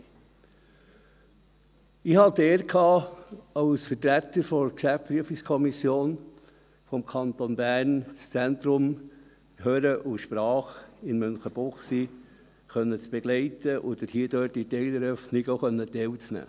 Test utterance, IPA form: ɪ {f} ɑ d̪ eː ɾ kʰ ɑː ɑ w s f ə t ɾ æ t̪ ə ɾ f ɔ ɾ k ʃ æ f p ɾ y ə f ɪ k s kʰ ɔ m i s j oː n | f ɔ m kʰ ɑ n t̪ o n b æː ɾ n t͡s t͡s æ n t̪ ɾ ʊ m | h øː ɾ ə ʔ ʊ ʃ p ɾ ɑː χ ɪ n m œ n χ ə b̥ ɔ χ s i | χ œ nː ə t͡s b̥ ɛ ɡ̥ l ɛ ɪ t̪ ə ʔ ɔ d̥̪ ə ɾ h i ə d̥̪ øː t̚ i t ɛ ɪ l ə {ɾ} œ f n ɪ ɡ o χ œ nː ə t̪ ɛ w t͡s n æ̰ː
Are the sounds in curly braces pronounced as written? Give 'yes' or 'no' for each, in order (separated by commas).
no, yes